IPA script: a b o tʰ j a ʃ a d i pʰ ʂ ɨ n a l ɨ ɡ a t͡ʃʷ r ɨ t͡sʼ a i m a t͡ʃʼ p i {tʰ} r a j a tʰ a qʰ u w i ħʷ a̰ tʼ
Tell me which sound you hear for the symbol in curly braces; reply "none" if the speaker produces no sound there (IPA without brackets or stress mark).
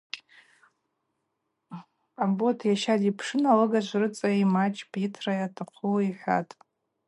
tʰ